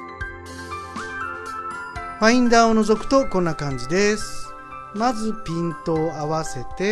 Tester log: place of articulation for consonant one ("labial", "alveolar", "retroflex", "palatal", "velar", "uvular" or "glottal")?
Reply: labial